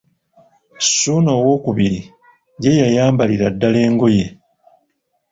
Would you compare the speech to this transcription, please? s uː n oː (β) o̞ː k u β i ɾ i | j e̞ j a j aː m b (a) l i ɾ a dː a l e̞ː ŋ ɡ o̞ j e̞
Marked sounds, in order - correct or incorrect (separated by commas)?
incorrect, correct